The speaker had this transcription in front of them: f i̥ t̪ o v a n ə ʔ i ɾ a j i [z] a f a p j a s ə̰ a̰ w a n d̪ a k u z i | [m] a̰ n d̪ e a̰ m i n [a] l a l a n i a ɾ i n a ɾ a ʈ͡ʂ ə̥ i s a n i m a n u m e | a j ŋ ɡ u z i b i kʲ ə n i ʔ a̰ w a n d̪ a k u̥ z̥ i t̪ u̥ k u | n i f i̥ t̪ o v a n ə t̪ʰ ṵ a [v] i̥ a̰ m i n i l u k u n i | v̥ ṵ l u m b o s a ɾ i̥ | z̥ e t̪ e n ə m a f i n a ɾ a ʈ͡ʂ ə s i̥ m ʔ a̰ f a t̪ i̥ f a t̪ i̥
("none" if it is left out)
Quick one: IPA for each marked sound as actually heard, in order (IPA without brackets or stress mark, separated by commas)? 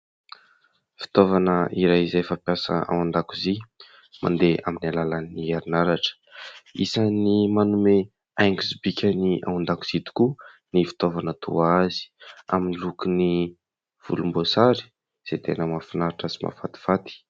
z, m, a, z